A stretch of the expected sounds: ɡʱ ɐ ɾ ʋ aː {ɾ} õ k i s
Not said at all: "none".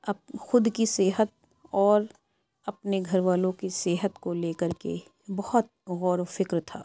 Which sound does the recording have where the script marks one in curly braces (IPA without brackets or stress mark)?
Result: l